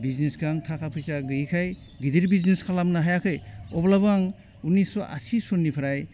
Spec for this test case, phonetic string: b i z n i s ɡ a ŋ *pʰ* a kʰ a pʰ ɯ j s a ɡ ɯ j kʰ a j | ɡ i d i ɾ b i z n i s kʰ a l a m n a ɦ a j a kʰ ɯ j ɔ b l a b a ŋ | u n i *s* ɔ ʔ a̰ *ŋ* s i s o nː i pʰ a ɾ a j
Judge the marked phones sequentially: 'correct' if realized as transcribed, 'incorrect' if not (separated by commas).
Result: incorrect, correct, incorrect